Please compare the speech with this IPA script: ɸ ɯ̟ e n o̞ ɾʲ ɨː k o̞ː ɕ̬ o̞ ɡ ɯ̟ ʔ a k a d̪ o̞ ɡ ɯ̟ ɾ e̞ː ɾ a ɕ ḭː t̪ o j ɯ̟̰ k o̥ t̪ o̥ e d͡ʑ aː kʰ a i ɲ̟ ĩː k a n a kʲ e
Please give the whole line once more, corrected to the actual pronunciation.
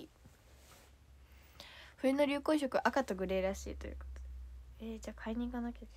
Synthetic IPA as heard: ɸ ɯ̟ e n o̞ ɾʲ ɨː k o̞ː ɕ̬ o̞ k ɯ̟ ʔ a k a t̪ o̞ ɡ ɯ̟ ɾ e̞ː ɾ a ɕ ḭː t̪ o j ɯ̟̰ k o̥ t̪ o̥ e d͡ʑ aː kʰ a i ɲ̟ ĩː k a n a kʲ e